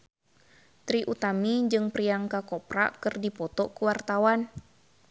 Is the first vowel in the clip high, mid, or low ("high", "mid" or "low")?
high